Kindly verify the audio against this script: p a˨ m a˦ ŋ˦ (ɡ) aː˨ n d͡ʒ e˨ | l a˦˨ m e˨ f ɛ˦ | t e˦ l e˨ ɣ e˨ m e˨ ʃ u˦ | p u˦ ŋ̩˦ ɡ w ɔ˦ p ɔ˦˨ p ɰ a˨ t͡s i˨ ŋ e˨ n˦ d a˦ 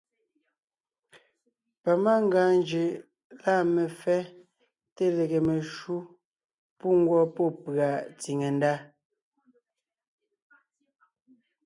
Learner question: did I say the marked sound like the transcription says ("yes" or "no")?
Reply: yes